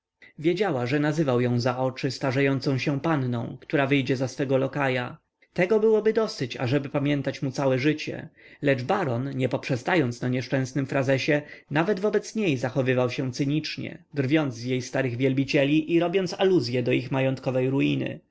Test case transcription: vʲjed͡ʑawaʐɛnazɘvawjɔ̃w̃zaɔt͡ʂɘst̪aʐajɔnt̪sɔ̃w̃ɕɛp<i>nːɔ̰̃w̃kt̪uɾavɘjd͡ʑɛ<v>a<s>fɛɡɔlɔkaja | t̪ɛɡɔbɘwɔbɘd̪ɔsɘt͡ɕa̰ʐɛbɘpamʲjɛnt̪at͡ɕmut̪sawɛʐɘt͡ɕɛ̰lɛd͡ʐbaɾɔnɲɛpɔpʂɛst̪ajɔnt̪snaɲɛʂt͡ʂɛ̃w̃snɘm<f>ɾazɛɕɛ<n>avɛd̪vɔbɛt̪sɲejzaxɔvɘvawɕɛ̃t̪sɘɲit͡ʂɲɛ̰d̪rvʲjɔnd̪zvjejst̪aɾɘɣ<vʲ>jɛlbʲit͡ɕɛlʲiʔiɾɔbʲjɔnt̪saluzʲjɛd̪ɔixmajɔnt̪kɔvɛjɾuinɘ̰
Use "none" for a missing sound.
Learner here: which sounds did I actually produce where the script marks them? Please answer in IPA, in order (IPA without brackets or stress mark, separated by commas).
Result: a, z, s, f, n, vʲ